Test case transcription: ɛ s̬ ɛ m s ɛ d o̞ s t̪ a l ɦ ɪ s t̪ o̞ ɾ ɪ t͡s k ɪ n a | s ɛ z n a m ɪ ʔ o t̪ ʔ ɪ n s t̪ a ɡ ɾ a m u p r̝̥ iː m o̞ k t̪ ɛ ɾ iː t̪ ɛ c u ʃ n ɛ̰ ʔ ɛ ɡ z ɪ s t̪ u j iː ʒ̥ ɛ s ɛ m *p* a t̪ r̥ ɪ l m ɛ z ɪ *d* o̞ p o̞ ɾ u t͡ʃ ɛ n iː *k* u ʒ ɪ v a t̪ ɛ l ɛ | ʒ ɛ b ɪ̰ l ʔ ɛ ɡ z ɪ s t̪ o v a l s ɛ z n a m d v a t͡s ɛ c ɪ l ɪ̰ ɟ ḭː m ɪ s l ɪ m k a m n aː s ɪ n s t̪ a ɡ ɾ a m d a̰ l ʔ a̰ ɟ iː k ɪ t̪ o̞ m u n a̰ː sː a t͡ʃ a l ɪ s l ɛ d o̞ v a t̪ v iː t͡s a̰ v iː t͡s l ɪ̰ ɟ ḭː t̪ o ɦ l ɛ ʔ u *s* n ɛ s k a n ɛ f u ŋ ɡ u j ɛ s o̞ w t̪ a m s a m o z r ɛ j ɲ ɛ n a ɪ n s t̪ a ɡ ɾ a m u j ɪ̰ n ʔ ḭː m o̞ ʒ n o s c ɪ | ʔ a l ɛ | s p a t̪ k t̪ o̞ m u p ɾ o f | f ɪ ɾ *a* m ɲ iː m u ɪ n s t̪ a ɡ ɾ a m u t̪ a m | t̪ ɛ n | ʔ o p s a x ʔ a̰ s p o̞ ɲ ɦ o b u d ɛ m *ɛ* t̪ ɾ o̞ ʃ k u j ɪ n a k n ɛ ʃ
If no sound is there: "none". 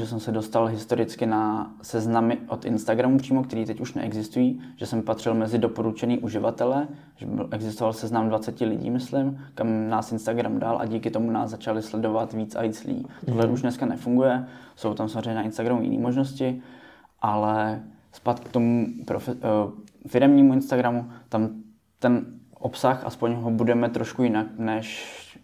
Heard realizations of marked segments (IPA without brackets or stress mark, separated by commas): p, d, ʔ, ʃ, ɛ, ɛ